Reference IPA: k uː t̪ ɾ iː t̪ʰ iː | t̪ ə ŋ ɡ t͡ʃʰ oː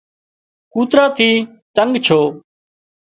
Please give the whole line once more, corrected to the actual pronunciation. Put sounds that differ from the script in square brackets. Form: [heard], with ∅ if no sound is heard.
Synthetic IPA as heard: k uː t̪ ɾ [aː] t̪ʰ iː | t̪ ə ŋ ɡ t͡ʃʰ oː